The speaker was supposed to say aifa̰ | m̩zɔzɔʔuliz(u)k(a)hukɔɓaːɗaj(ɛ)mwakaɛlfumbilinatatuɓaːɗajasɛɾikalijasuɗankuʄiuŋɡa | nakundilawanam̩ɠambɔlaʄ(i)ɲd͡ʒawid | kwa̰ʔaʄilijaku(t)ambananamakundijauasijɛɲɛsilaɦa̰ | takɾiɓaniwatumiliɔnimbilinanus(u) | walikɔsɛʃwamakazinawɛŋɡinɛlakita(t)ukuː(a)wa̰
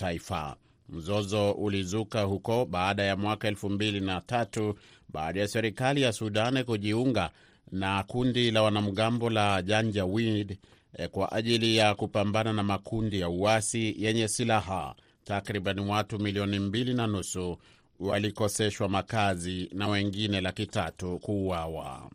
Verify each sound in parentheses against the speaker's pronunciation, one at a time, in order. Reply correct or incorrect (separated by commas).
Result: correct, correct, incorrect, incorrect, incorrect, correct, correct, correct